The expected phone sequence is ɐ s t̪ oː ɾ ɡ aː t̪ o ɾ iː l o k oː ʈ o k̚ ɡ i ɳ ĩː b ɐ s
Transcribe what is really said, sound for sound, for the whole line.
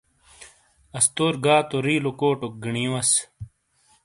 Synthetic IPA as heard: ɐ s t̪ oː ɾ ɡ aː t̪ o ɾ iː l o k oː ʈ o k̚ ɡ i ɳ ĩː w ɐ s

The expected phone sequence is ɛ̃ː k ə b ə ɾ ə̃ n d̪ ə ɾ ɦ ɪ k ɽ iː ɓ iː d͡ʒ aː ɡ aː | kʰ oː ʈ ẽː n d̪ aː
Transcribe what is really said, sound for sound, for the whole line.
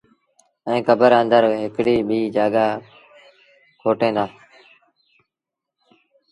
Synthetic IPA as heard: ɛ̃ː k ə b ə ɾ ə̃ n d̪ ə ɾ ɦ ɪ k ɽ iː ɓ iː d͡ʒ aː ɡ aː | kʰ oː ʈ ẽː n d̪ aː

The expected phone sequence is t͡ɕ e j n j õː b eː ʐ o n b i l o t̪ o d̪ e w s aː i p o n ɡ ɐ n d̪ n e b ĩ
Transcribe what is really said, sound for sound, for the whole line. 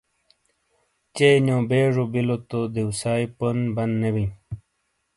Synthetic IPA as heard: t͡ɕ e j n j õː b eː ʐ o b i l o t̪ o d̪ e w s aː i p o n b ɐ n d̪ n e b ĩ

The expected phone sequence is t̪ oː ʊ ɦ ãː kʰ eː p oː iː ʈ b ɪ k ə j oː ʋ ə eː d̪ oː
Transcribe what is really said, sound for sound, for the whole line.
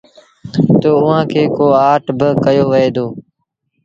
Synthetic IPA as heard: t̪ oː ʊ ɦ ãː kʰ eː k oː aː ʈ b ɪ k ə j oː ʋ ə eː d̪ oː

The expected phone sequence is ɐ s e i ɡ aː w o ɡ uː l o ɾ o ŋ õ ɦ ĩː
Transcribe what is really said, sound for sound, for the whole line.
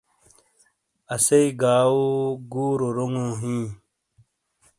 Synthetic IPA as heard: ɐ s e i ɡ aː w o ɡ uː ɾ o ɾ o ŋ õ ɦ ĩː

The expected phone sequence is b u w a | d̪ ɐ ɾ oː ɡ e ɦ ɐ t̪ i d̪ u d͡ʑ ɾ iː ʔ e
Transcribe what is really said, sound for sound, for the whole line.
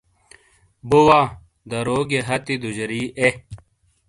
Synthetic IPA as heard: b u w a | d̪ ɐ ɾ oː ɡ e ɦ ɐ t̪ i d̪ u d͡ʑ ɾ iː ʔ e

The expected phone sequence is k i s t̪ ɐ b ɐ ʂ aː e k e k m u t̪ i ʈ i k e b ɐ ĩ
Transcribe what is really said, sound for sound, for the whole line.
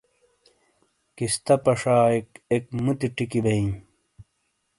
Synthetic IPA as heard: k i s t̪ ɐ p ɐ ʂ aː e k e k m u t̪ i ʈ i k i b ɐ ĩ

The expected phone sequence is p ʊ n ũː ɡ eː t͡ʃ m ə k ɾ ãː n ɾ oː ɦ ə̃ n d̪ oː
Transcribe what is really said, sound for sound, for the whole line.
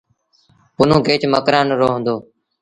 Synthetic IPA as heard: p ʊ n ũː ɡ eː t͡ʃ m ə k ɾ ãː n ɾ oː ɦ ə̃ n d̪ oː

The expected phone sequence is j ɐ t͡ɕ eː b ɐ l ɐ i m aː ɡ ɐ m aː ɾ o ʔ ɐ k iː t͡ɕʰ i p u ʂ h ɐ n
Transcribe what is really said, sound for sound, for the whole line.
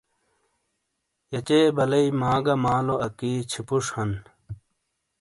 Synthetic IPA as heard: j ɐ t͡ɕ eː b ɐ l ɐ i m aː ɡ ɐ m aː l o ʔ ɐ k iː t͡ɕʰ i p u ʂ h ɐ n

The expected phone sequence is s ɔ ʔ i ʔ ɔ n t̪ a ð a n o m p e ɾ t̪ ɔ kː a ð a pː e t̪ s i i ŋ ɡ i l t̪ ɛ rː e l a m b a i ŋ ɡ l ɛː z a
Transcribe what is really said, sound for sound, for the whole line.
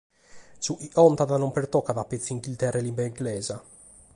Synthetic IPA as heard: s u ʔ i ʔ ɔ n t̪ a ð a n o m p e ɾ t̪ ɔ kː a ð a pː e t̪ s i i ŋ ɡ i l t̪ ɛ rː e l i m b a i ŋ ɡ l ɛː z a

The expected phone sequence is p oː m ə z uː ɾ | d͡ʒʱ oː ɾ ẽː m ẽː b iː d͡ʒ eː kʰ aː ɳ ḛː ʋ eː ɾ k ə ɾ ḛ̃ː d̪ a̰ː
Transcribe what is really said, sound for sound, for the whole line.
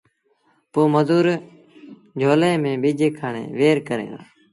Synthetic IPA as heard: p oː m ə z uː ɾ | d͡ʒʱ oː l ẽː m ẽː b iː d͡ʒ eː kʰ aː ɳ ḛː ʋ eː ɾ k ə ɾ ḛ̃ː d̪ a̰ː

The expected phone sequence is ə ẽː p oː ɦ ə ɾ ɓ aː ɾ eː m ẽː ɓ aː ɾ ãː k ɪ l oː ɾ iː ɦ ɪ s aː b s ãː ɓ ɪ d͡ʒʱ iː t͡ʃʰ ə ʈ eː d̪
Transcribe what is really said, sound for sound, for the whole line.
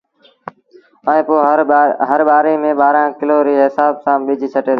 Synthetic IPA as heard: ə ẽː p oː ɦ ə ɾ ɓ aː ɾ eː m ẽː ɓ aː ɾ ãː k ɪ l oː ɾ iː ɦ ɪ s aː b s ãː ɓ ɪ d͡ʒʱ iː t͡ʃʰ ə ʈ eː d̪

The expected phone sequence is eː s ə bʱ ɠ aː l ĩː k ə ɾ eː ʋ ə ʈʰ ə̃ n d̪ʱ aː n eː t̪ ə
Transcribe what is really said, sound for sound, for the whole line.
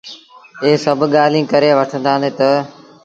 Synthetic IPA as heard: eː s ə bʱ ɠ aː l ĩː k ə ɾ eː ʋ ə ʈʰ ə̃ n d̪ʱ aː n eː t̪ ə

